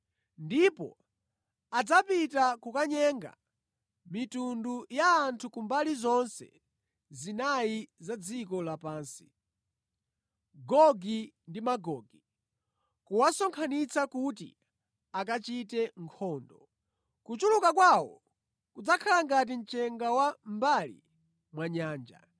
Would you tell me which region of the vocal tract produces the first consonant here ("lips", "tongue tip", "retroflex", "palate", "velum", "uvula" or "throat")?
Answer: tongue tip